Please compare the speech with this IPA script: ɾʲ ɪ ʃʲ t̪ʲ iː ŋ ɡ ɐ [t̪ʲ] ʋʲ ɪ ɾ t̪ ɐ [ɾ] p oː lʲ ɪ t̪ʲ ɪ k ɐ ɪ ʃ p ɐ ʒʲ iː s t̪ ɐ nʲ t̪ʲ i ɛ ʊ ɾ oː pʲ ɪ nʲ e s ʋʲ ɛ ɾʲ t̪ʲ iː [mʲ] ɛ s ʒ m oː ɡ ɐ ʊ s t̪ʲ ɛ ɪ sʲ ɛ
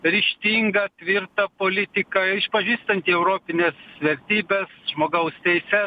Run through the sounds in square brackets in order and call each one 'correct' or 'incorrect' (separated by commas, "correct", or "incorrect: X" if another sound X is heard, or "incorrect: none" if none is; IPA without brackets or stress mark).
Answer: correct, incorrect: none, incorrect: bʲ